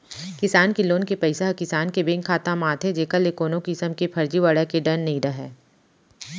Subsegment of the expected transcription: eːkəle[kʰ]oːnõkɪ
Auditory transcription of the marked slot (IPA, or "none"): k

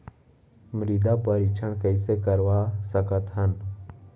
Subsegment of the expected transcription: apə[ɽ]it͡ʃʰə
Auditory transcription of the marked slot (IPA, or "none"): ɾ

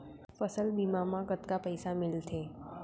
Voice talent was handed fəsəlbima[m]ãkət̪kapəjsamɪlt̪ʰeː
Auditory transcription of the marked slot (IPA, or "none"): m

